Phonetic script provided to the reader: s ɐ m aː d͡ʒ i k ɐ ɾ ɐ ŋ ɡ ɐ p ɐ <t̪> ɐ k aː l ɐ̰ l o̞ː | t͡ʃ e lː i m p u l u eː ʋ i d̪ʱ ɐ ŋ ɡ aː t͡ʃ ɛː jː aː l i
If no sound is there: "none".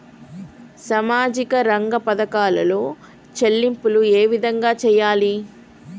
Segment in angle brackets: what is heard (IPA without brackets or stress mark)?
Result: d̪